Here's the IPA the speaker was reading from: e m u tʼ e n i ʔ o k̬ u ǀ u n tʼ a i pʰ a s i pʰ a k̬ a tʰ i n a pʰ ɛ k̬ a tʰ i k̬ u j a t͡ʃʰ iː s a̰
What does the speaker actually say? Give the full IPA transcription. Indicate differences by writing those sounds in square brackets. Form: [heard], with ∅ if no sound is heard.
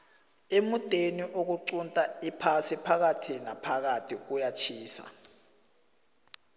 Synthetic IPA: e m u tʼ e n i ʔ o k̬ u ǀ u n tʼ a i pʰ a s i pʰ a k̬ a tʰ i n a pʰ [a] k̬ a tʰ i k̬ u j a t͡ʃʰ iː s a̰